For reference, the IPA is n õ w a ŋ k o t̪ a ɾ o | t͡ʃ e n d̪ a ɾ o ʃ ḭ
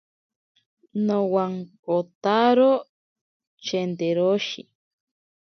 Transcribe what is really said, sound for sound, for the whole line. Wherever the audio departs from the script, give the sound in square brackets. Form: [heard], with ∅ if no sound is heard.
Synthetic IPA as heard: n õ w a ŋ k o t̪ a ɾ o | t͡ʃ e n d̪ [e] ɾ o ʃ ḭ